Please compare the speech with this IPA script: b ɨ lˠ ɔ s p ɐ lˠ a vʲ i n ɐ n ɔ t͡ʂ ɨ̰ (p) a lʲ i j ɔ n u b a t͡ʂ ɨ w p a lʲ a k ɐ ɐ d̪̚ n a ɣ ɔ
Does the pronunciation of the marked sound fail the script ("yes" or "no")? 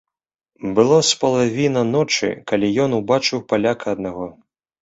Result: yes